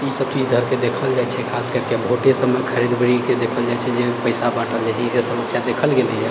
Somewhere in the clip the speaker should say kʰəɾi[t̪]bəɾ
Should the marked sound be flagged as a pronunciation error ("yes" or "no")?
yes